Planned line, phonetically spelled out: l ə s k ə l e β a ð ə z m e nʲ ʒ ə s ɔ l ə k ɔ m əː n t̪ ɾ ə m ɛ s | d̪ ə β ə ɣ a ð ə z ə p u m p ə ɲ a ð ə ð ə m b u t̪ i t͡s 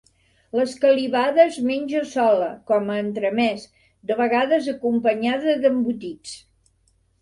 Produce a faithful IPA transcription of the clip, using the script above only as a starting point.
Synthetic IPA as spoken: l ə s k ə l i β a ð ə z m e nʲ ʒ ə s ɔ l ə k ɔ m əː n t̪ ɾ ə m ɛ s | d̪ ə β ə ɣ a ð ə z ə k u m p ə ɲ a ð ə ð ə m b u t̪ i t͡s